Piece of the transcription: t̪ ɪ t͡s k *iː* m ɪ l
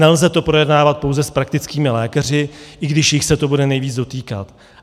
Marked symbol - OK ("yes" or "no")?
yes